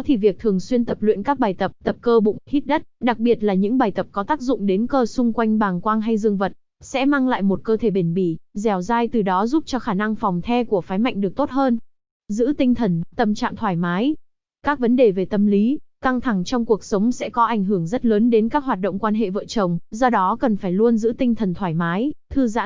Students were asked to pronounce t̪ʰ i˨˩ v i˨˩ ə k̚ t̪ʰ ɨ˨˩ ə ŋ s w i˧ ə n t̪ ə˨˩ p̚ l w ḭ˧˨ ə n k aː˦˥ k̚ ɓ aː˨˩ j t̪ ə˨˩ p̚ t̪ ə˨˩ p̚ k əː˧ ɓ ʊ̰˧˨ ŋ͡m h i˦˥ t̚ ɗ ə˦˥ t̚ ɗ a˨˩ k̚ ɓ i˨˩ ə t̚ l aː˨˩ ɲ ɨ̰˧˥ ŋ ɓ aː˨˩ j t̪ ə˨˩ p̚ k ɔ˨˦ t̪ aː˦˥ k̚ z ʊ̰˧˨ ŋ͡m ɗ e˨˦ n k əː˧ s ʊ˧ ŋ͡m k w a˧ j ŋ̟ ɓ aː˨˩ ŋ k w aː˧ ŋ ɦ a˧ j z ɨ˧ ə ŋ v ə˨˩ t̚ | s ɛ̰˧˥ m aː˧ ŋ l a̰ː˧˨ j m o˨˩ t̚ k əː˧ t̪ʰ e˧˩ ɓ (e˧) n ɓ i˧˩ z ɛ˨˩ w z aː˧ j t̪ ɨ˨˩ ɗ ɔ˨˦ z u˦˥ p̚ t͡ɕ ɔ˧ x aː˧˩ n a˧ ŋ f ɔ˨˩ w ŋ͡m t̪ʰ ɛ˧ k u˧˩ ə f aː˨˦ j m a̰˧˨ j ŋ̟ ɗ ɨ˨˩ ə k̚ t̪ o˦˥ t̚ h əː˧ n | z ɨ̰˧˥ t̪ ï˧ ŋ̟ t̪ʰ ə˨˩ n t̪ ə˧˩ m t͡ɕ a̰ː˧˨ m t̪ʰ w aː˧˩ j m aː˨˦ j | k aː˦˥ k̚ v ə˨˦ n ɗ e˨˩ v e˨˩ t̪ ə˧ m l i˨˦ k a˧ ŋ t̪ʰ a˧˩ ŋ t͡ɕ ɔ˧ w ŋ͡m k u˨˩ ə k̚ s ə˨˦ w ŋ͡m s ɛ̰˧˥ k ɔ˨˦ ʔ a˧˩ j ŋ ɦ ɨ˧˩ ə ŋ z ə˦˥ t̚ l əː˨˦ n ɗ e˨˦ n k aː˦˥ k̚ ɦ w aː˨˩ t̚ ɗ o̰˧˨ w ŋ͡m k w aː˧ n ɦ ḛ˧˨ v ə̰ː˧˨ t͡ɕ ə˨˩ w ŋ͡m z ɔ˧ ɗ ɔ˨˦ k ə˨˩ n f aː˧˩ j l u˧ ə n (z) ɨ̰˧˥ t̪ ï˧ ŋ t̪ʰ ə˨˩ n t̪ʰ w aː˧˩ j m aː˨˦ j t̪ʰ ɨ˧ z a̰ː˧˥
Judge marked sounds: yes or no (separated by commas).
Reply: no, yes